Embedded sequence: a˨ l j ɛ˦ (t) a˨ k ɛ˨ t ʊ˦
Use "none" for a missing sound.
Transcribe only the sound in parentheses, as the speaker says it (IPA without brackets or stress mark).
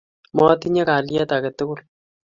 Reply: t